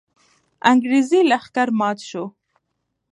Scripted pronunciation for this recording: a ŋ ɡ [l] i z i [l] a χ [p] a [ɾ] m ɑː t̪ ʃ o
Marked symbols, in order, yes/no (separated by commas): no, yes, no, yes